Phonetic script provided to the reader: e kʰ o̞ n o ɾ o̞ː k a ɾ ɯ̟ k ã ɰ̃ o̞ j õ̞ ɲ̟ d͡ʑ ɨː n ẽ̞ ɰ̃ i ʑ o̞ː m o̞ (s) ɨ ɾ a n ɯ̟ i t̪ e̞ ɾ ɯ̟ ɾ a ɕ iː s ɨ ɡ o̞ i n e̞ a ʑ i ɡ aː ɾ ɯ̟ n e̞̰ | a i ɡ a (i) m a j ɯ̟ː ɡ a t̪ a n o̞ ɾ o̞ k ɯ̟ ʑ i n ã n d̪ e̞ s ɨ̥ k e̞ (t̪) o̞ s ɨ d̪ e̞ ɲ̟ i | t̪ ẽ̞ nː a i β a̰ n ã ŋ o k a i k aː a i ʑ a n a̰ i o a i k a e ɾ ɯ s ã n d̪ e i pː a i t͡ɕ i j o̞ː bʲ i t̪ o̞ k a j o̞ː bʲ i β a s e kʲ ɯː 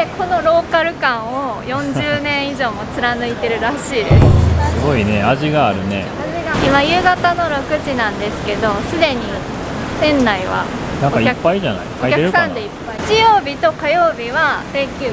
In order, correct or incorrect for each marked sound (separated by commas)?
incorrect, correct, incorrect